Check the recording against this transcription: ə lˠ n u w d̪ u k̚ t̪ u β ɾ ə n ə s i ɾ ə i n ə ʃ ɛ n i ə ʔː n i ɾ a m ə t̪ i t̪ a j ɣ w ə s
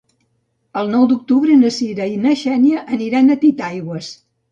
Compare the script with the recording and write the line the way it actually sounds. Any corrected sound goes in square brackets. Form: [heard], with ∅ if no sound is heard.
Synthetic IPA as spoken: ə lˠ n [ɔ] w d̪ u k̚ t̪ u β ɾ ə n ə s i ɾ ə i n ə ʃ ɛ n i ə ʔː n i ɾ a [n] ə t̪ i t̪ a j ɣ w ə s

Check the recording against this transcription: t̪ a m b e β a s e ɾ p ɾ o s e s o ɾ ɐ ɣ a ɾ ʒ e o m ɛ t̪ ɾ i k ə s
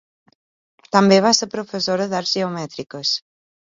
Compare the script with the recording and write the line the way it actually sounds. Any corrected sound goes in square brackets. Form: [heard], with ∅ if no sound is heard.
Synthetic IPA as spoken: t̪ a m b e β a s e ɾ p ɾ o [f] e s o ɾ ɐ [ð] a ɾ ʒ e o m ɛ t̪ ɾ i k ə s

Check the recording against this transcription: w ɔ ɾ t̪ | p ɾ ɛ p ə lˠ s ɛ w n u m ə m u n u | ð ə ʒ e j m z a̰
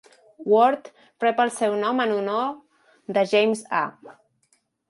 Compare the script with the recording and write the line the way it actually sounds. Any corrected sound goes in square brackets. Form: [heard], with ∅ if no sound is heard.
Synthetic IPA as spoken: w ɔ ɾ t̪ | p ɾ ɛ p ə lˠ s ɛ w n [ɔ] m ə [n] u n [o] | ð ə ʒ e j m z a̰

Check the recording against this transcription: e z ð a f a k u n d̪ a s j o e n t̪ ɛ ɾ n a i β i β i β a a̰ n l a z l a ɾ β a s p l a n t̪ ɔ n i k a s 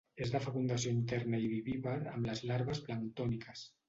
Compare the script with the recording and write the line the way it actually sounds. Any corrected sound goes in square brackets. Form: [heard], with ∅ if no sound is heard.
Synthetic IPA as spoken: e z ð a f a k u n d̪ a s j o [i] n t̪ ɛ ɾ n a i β i β i β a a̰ [m] l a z l a ɾ β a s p l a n t̪ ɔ n i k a s

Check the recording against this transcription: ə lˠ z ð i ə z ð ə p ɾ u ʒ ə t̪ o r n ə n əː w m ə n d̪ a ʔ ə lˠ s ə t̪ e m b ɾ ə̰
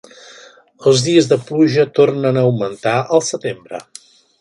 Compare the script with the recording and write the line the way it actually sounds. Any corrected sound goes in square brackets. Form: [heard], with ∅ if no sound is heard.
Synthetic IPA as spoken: ə lˠ z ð i ə z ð ə p [l] u ʒ ə t̪ o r n ə n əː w m ə n [t̪] a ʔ ə lˠ s ə t̪ e m b ɾ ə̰

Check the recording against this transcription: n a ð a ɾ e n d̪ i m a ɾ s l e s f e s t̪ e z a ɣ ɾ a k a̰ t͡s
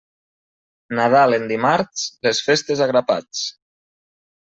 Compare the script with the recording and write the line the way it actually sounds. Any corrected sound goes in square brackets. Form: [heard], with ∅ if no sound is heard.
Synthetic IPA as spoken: n a ð a [l] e n d̪ i m a ɾ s l e s f e s t̪ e z a ɣ ɾ a [p] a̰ t͡s

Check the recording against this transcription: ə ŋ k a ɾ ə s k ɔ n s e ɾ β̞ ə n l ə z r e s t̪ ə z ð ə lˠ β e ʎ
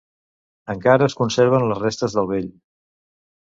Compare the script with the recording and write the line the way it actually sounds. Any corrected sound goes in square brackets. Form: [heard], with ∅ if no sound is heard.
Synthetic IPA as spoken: ə ŋ k a ɾ [əː] s k [u] n s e ɾ β̞ ə n l ə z r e s t̪ ə z ð ə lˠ β e ʎ

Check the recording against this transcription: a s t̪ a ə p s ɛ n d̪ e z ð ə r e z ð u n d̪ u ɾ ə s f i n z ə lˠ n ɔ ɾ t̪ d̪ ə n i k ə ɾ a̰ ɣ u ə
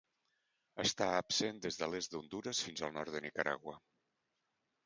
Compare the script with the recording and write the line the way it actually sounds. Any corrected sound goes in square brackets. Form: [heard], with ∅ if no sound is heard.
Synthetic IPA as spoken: [ə] s t̪ a ə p s [e] n d̪ e z ð ə [l] e z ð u n d̪ u ɾ ə s f i n z ə lˠ n ɔ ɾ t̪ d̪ ə n i k ə ɾ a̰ ɣ [w] ə

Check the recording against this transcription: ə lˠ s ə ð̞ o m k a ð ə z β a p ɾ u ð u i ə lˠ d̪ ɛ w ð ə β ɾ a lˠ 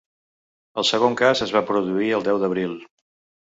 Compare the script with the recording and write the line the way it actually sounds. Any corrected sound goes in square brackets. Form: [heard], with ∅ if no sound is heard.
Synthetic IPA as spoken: ə lˠ s ə [ɣ̞] o [ŋ] k a [z] ə z β a p ɾ u ð u i ə lˠ d̪ ɛ w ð ə β ɾ [i] lˠ

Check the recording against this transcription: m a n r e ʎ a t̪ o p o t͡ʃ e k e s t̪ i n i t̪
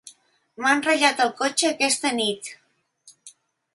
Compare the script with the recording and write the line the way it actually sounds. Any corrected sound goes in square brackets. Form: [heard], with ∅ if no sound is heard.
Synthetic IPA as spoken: m a n r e ʎ a t̪ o [k] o t͡ʃ e k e s t̪ [e] n i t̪

